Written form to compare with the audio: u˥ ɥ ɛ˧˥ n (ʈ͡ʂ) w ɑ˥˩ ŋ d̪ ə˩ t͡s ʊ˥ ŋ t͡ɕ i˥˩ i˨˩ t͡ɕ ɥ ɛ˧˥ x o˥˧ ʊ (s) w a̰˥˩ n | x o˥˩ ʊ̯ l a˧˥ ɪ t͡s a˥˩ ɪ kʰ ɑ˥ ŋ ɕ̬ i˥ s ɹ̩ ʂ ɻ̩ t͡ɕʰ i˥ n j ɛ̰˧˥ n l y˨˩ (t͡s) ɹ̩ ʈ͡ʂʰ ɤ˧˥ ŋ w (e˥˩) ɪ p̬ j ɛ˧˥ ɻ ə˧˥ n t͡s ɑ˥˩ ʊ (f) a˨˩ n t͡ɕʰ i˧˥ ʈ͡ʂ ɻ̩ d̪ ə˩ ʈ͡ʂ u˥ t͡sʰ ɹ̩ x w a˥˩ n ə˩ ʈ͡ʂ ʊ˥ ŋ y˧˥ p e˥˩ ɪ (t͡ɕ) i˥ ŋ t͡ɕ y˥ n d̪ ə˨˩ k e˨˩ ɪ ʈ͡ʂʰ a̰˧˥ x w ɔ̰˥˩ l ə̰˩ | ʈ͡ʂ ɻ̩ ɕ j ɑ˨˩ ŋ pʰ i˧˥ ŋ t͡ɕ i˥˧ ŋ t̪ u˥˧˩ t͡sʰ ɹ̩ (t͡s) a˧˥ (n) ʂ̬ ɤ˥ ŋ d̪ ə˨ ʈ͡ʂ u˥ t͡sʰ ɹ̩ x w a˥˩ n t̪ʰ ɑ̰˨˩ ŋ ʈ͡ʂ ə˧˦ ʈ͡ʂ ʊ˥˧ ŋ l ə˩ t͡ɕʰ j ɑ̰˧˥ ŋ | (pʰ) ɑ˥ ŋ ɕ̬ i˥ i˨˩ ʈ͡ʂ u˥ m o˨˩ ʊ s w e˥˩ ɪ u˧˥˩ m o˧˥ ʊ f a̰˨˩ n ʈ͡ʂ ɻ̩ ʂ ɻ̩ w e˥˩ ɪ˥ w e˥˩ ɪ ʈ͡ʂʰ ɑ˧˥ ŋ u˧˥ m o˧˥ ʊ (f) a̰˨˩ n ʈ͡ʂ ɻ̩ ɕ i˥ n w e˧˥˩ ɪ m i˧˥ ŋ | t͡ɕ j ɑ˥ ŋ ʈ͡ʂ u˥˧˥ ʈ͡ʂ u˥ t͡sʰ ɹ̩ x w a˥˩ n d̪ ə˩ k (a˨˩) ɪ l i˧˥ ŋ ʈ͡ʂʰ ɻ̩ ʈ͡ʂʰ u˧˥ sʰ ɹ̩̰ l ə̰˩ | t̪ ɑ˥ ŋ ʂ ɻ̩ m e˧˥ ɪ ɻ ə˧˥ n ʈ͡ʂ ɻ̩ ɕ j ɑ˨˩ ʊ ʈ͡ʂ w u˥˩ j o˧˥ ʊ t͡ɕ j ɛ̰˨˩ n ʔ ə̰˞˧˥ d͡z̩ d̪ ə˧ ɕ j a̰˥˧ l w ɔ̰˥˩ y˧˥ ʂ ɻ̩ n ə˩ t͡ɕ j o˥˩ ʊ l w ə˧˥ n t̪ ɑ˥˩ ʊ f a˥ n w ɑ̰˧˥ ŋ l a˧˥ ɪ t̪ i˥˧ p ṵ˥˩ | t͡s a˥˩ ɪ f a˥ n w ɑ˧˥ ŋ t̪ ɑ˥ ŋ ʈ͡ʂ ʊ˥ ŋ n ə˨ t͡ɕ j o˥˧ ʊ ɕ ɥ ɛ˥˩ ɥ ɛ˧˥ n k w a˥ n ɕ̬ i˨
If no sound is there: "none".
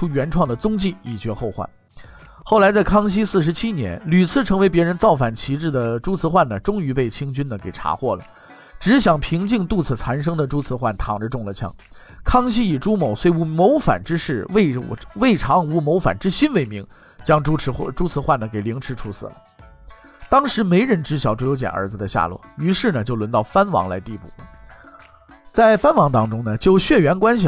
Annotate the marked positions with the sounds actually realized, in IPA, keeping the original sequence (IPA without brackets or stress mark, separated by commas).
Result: ʈ͡ʂʰ, x, t͡sʰ, e˧˥, f, t͡ɕʰ, t͡sʰ, n, kʰ, f, e˨˩